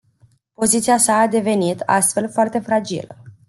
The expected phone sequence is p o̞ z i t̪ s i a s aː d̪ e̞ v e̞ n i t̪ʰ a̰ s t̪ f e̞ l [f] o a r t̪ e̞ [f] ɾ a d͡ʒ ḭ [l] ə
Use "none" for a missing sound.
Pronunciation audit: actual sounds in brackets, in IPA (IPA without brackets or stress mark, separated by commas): f, f, l